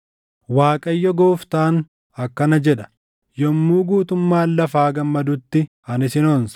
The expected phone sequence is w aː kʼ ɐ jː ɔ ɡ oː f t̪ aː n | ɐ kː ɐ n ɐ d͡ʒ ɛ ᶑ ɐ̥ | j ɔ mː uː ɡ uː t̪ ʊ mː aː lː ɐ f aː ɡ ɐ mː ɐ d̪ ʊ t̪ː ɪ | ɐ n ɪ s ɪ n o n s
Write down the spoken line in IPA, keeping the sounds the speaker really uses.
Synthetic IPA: w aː kʼ ɐ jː ɔ ɡ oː f t̪ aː n | ɐ kː ɐ n ɐ d͡ʒ ɛ ᶑ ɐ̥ | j ɔ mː uː ɡ uː t̪ ʊ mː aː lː ɐ f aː ɡ ɐ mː ɐ d̪ ʊ t̪ː ɪ | ɐ n ɪ s ɪ n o n s